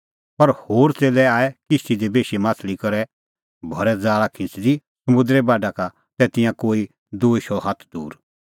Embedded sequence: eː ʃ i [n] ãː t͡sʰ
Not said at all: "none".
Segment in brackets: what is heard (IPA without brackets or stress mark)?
m